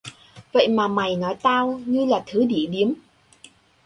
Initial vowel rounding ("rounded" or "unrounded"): unrounded